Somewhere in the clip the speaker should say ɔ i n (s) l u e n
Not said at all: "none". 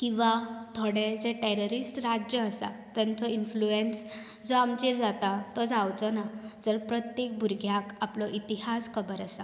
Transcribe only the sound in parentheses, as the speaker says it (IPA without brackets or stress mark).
f